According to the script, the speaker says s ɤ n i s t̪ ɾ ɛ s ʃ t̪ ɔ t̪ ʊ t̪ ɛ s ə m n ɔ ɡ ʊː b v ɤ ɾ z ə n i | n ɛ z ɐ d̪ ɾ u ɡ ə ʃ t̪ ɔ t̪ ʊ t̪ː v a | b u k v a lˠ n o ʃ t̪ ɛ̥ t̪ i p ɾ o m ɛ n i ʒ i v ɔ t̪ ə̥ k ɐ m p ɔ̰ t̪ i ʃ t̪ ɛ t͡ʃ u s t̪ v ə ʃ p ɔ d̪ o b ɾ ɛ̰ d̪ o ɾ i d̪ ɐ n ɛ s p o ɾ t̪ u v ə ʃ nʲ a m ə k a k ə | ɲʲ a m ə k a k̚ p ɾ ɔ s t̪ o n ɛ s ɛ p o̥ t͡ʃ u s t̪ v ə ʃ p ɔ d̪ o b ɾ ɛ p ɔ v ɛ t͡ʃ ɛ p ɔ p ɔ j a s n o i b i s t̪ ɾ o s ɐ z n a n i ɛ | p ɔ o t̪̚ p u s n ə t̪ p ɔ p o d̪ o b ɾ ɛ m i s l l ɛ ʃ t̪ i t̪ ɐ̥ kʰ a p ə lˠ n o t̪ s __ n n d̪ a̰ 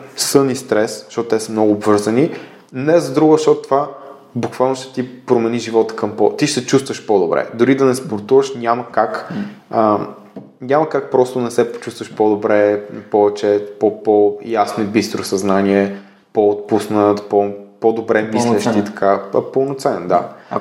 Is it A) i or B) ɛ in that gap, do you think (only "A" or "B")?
B